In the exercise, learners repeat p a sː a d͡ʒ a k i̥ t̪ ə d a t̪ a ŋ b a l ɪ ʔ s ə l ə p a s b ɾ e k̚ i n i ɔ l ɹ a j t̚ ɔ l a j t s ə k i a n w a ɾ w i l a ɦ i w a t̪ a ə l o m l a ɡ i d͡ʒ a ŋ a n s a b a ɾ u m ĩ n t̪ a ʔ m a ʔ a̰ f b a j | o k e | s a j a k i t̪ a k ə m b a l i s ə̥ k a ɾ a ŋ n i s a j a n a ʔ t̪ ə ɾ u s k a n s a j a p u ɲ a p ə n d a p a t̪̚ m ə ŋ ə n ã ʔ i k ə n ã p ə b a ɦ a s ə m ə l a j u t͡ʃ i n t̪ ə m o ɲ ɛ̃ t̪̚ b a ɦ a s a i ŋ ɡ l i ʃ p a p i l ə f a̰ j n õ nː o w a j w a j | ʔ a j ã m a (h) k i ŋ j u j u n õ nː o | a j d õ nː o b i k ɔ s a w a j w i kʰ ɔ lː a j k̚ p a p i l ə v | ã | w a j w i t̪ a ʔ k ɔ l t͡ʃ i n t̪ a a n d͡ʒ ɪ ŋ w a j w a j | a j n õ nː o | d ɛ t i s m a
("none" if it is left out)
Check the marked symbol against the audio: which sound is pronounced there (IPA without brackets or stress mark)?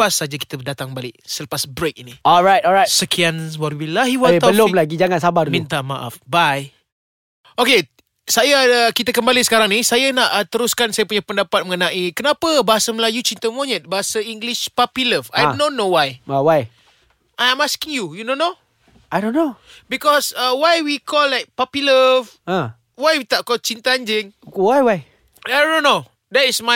s